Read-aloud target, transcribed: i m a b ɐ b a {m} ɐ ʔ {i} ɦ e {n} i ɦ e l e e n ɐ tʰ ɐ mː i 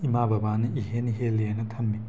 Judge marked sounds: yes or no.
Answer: no, yes, yes

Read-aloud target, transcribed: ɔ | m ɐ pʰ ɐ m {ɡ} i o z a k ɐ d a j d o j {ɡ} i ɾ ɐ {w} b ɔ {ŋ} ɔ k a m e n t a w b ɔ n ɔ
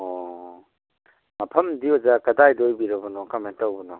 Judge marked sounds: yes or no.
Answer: no, no, no, no

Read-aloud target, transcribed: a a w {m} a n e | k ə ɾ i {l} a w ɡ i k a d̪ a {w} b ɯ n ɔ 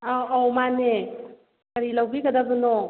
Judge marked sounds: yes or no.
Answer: yes, yes, no

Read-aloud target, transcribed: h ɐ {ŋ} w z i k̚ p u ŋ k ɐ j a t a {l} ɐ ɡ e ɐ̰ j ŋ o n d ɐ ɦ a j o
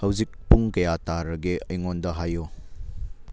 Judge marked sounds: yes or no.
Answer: no, no

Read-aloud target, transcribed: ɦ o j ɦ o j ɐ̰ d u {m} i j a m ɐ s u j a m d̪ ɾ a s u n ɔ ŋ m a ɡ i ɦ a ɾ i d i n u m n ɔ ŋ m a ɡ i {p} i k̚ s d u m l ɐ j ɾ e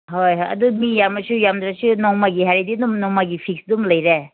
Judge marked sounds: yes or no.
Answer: yes, no

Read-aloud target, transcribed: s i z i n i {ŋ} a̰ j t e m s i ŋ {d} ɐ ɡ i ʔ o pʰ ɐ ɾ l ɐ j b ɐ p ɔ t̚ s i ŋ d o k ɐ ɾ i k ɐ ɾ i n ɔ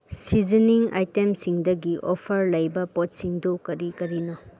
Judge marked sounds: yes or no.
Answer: yes, yes

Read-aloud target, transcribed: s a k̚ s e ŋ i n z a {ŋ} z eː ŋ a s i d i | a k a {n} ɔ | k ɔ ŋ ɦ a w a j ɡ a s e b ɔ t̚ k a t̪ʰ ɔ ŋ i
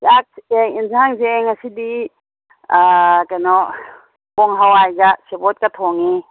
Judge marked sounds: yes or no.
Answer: yes, yes

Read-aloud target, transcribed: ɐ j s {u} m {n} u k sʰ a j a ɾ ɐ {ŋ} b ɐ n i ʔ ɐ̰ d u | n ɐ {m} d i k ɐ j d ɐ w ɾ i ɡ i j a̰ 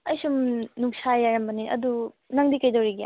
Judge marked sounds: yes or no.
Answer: yes, yes, no, no

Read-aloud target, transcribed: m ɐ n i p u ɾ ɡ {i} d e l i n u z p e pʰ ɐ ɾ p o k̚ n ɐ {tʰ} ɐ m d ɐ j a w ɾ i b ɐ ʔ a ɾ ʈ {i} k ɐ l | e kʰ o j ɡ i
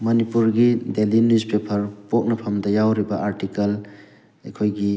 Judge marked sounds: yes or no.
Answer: yes, no, yes

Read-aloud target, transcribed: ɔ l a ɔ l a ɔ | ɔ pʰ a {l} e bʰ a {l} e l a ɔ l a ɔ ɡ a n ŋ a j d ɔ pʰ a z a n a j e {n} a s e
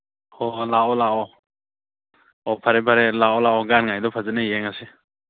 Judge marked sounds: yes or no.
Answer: no, no, no

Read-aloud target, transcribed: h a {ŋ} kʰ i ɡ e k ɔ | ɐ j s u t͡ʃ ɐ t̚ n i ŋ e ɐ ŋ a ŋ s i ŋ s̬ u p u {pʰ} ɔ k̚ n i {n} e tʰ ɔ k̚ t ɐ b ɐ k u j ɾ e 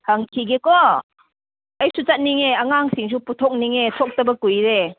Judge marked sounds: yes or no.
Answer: yes, no, no

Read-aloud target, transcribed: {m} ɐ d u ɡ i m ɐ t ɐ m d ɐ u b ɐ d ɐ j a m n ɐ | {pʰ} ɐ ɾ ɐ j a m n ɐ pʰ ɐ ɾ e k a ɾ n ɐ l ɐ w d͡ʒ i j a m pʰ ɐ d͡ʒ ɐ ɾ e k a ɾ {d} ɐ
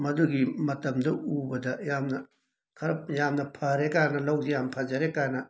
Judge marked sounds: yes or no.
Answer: yes, no, no

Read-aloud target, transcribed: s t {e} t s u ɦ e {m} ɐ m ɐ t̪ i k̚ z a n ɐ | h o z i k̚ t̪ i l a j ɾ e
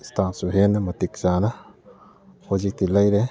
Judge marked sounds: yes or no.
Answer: no, no

